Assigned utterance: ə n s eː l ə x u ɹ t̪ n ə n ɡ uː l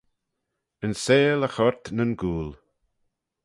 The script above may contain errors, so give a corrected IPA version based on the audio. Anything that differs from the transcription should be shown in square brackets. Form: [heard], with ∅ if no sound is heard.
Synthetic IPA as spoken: ə n s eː l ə x [ɔ] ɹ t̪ n ə n ɡ uː l